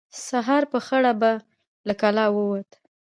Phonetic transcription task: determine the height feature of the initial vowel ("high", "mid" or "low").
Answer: low